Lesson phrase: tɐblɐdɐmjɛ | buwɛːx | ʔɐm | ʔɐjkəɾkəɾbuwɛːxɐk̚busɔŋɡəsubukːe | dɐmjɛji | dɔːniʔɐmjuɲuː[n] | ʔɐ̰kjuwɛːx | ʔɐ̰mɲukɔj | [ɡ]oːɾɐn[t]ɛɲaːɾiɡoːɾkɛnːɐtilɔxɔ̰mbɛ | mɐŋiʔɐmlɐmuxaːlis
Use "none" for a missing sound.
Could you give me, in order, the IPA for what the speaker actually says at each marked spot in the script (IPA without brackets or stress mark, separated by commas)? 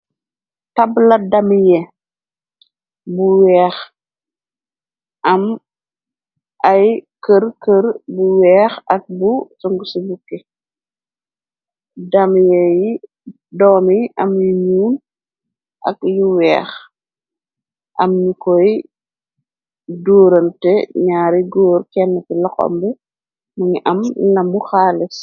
n, d, t